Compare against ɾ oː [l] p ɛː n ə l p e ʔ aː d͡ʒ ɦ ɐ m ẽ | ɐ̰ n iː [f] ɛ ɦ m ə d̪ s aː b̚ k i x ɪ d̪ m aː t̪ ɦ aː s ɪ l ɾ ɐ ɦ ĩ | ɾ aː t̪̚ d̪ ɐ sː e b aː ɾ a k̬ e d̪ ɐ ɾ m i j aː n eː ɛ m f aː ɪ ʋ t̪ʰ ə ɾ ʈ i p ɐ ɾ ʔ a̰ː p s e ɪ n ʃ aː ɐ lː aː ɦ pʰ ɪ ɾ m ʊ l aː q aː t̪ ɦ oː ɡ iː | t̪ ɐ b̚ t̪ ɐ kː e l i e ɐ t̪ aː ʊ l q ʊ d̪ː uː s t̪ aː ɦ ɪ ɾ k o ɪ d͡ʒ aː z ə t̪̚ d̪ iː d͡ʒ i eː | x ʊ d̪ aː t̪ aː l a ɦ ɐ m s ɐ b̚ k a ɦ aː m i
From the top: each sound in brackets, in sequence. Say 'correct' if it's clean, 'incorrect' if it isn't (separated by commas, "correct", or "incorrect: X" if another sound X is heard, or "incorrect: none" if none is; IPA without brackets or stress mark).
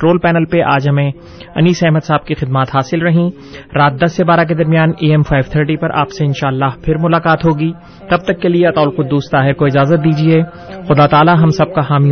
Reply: correct, incorrect: s